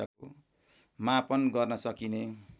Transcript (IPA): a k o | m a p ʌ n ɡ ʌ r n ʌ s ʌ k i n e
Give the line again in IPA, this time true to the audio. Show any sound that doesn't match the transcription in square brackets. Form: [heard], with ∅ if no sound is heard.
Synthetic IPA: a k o | m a p ʌ n ɡ ʌ r n ʌ s ʌ k i n e